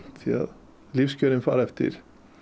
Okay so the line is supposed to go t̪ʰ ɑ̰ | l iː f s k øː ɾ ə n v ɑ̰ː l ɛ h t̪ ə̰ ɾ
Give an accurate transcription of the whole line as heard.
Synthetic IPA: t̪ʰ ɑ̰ | l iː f s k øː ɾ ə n f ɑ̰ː ɾ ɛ f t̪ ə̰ ɾ